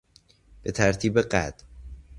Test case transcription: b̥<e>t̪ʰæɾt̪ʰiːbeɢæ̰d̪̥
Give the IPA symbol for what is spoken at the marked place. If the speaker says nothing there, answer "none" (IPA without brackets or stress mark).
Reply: e